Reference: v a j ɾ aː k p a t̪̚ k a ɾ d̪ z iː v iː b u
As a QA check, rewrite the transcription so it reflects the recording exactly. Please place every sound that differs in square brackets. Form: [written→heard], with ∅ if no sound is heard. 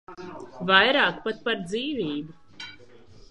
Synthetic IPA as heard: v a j ɾ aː k p a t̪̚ [k→p] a ɾ d̪ z iː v iː b u